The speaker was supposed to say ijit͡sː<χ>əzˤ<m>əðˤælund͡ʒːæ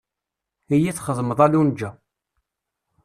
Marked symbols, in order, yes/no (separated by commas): yes, yes